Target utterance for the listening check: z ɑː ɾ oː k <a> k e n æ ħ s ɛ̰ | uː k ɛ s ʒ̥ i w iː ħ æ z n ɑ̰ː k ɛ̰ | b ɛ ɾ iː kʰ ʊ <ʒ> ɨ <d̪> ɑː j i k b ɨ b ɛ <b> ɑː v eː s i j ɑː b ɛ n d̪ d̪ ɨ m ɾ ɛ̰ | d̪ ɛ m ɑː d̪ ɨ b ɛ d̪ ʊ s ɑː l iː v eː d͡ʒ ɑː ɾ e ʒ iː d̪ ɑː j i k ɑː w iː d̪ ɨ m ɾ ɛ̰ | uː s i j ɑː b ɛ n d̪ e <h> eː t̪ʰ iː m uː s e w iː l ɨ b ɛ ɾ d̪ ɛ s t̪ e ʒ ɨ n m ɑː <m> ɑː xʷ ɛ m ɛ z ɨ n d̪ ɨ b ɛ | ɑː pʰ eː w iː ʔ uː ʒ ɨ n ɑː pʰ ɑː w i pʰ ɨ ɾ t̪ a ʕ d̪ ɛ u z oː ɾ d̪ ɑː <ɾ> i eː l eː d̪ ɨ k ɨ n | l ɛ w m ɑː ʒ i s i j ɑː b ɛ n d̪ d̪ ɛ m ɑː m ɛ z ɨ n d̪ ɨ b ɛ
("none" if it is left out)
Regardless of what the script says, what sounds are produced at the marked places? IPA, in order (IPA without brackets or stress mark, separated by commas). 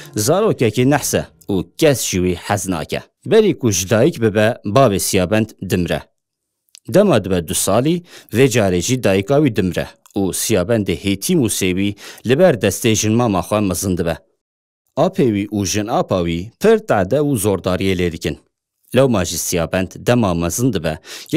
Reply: ɛ, ʒ, d̪, b, h, m, ɾ